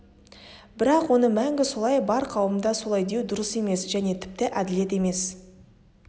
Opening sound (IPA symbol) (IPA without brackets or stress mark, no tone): b